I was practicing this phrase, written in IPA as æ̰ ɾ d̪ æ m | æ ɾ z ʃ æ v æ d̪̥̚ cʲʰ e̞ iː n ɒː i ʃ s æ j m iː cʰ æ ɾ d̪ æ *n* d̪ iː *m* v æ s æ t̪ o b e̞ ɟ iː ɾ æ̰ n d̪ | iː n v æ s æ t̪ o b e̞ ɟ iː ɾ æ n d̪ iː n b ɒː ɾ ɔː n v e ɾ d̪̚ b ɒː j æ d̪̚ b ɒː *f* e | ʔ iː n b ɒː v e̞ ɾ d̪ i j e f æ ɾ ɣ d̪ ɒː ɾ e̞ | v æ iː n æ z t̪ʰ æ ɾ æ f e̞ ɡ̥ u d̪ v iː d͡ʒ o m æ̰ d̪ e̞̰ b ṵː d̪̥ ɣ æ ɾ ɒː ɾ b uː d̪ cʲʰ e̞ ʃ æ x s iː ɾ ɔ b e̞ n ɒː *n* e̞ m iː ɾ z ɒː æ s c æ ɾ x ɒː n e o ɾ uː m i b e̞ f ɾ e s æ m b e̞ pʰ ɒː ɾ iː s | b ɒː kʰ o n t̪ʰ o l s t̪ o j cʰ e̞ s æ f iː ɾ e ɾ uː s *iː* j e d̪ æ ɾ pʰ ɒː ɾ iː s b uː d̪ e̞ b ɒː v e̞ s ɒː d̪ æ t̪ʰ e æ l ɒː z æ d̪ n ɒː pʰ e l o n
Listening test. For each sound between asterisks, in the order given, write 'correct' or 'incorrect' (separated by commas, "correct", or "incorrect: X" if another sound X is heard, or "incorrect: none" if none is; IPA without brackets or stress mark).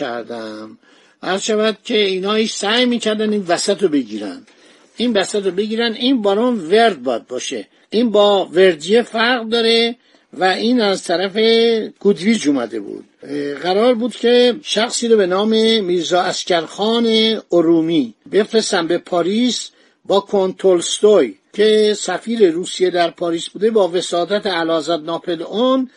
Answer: correct, incorrect: n, incorrect: ʃ, incorrect: m, incorrect: i